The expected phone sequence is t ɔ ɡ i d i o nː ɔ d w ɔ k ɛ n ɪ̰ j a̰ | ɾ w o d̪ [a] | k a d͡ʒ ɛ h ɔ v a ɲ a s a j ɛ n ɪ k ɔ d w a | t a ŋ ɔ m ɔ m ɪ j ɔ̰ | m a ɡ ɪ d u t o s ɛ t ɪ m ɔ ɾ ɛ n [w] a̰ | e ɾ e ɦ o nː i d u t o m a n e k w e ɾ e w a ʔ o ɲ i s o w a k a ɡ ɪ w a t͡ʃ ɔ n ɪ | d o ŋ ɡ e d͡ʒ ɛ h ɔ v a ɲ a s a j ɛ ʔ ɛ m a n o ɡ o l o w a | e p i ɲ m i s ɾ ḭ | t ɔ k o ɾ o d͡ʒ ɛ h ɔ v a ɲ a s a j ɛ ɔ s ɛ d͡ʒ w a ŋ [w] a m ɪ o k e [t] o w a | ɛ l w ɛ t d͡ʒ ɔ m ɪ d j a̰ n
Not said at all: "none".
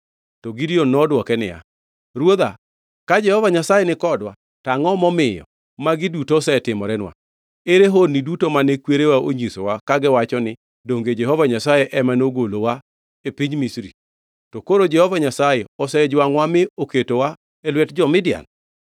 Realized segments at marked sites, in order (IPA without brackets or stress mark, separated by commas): a, w, w, t